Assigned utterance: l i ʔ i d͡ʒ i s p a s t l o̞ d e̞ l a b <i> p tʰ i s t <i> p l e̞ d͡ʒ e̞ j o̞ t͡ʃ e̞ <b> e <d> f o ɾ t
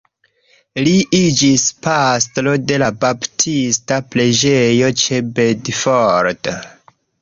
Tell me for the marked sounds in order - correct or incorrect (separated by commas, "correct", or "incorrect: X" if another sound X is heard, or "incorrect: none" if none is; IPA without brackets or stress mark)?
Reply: incorrect: a, incorrect: a, correct, correct